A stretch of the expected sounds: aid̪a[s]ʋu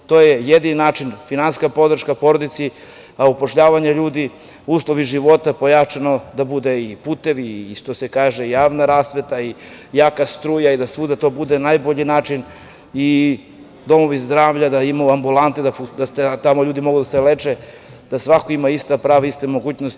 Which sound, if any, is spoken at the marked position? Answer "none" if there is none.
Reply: s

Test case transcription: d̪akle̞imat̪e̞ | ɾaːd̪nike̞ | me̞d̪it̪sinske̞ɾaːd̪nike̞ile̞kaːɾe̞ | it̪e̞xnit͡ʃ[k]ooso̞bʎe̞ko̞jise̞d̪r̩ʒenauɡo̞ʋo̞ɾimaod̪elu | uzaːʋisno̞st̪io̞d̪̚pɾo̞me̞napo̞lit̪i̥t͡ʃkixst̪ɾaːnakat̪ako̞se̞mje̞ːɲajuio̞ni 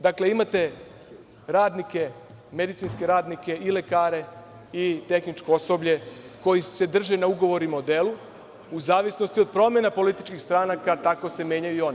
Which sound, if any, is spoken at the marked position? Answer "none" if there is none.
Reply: k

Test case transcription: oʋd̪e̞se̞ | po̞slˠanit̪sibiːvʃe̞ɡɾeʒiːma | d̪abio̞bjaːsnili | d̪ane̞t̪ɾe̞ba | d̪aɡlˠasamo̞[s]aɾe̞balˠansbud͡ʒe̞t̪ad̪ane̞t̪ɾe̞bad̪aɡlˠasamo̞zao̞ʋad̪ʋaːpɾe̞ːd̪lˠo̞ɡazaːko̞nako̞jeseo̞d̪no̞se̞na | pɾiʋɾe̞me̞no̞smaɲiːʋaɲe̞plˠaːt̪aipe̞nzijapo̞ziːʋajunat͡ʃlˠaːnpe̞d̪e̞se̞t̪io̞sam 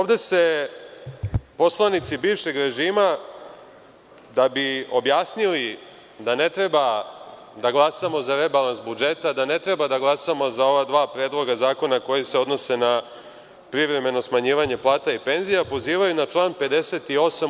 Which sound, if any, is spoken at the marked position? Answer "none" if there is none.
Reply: z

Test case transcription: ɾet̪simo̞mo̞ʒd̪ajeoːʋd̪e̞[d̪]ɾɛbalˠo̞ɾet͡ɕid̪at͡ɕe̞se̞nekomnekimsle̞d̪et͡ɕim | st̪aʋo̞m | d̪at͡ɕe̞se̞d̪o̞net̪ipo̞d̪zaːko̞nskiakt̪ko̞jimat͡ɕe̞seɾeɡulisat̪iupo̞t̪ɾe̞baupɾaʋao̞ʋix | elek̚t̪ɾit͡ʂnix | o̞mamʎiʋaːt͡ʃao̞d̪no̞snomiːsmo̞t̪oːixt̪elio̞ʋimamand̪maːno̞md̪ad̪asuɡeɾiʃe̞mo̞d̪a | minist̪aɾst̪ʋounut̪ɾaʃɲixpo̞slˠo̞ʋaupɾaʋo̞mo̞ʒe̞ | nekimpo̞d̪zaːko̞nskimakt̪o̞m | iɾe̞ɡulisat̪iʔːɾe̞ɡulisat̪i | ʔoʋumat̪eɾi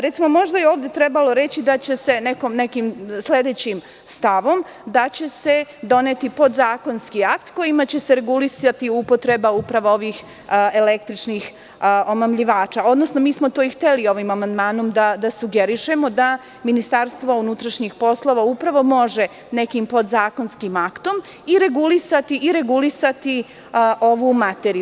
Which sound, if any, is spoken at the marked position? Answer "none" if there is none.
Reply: t̪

